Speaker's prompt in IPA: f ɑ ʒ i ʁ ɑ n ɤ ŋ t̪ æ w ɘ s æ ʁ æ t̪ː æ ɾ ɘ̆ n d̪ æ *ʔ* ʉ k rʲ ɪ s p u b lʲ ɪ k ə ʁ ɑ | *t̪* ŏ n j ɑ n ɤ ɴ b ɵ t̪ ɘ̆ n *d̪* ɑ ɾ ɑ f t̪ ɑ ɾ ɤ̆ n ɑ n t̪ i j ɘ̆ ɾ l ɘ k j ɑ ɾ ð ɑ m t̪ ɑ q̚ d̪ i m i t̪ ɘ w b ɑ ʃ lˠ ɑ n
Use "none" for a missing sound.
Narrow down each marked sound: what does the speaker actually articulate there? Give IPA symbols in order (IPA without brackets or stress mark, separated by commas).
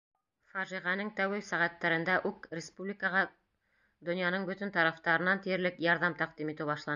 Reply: ʔ, d̪, t̪